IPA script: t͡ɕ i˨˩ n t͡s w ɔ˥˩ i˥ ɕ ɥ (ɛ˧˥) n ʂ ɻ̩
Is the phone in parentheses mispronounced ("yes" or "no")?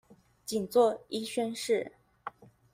yes